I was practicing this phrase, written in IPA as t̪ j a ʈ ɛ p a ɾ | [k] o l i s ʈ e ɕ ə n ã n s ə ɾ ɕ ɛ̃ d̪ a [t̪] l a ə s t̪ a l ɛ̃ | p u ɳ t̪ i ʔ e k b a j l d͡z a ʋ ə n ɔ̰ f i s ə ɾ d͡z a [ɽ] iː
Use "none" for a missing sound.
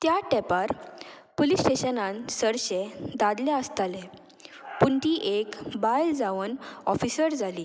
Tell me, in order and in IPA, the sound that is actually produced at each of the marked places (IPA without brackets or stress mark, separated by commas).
p, d̪, l